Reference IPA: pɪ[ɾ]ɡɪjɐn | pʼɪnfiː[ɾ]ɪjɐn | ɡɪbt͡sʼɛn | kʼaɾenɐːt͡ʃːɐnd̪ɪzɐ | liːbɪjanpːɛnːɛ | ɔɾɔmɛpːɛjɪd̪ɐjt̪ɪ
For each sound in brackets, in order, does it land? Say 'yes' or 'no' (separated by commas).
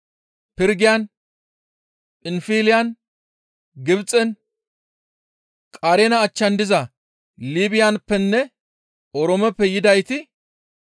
yes, no